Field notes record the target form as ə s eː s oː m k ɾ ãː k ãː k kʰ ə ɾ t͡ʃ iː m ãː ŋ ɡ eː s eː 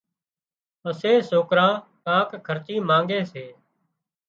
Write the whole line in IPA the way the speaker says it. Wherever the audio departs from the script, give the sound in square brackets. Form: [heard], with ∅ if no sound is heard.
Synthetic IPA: ə s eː s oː [∅] k ɾ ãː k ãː k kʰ ə ɾ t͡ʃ iː m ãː ŋ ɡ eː s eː